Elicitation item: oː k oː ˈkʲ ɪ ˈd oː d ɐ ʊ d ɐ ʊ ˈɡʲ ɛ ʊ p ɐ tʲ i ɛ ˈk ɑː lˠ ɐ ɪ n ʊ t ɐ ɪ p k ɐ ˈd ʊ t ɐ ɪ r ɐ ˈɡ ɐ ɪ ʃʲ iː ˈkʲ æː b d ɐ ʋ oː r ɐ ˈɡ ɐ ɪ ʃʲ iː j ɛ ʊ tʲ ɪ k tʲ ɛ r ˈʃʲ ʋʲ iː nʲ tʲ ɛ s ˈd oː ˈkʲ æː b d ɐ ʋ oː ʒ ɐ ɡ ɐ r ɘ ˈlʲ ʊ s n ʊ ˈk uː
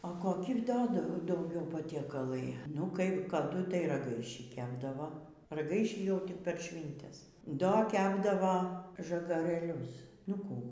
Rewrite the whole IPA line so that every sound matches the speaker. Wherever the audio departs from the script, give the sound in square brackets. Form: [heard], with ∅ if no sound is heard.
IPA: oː k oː ˈkʲ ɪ ˈd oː d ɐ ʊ d ɐ ʊ ˈɡʲ ɛ ʊ p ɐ tʲ i ɛ ˈk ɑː lˠ ɐ ɪ n ʊ [k] ɐ ɪ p k ɐ ˈd ʊ t ɐ ɪ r ɐ ˈɡ ɐ ɪ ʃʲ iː ˈkʲ æː b d ɐ ʋ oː r ɐ ˈɡ ɐ ɪ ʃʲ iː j ɛ ʊ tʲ ɪ k [pʲ] ɛ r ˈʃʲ ʋʲ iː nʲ tʲ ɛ s ˈd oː ˈkʲ æː b d ɐ ʋ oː ʒ ɐ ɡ ɐ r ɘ ˈlʲ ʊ s n ʊ ˈk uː